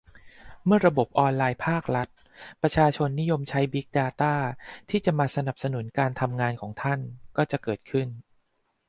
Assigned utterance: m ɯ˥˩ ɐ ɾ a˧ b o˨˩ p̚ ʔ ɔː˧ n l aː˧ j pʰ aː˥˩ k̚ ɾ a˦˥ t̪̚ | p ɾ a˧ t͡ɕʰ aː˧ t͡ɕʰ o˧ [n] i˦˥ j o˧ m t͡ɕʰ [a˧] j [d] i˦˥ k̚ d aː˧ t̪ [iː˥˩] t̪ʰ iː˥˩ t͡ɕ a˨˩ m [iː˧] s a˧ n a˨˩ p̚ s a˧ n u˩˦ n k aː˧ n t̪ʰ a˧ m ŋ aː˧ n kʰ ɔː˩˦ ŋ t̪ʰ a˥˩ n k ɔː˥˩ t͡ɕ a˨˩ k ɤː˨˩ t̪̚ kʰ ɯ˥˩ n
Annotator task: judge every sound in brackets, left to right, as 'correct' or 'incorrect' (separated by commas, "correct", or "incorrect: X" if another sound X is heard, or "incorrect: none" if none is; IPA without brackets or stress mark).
incorrect: nː, incorrect: a˦˥, incorrect: b, incorrect: aː˥˩, incorrect: aː˧